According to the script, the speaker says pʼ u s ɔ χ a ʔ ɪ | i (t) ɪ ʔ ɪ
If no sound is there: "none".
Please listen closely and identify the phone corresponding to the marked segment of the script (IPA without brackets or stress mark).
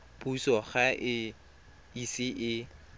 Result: s